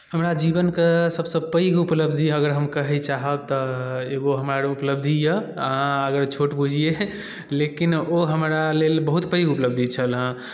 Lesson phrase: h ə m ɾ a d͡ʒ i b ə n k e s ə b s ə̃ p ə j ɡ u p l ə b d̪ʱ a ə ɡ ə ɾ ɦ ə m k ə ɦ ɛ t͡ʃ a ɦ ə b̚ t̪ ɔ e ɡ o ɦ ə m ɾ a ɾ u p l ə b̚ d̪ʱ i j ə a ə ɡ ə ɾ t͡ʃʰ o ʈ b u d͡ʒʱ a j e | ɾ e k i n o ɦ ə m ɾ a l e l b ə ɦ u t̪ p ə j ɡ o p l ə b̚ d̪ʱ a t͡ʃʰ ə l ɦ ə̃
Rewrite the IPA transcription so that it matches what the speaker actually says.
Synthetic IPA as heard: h ə m ɾ a d͡ʒ i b ə n k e s ə b s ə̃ p ə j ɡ u p l ə b d̪ʱ i ə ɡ ə ɾ ɦ ə m k ə ɦ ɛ t͡ʃ a ɦ ə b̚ t̪ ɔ e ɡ o ɦ ə m ɾ a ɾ u p l ə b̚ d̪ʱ i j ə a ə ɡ ə ɾ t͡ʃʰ o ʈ b u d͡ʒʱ i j e | l e k i n o ɦ ə m ɾ a l e l b ə ɦ u t̪ p ə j ɡ u p l ə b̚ d̪ʱ i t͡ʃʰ ə l ɦ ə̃